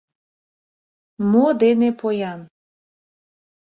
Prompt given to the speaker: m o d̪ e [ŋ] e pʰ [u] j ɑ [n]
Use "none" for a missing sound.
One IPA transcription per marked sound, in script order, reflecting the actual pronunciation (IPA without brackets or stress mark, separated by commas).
n, o, n